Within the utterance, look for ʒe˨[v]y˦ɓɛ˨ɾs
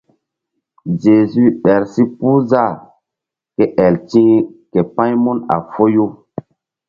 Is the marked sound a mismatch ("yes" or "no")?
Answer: yes